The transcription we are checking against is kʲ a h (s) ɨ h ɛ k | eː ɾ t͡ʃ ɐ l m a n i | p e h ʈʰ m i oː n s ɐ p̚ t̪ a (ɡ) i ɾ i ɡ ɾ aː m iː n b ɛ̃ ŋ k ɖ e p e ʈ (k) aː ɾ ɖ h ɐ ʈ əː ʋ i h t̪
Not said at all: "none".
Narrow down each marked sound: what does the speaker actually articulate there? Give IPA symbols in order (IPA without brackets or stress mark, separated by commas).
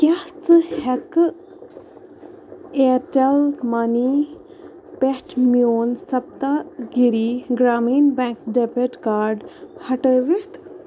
t͡s, ɡ, k